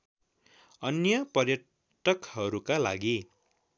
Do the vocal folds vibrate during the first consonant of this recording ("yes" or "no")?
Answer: yes